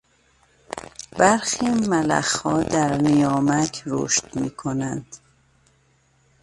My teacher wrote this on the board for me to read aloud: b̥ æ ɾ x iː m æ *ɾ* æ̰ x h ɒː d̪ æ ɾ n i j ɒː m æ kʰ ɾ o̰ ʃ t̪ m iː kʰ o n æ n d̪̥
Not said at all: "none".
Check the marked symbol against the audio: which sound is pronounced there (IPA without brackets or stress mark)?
l